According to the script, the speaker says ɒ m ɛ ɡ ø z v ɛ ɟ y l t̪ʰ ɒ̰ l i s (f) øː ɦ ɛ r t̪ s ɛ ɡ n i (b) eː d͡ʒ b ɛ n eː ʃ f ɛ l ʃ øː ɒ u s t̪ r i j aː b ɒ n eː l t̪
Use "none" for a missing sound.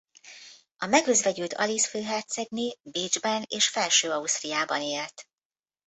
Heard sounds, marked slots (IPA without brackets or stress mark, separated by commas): f, b